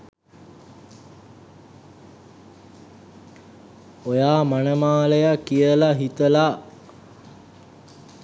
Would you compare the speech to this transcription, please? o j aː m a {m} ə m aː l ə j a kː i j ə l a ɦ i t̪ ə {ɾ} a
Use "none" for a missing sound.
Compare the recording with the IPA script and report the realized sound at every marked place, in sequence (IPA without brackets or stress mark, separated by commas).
n, l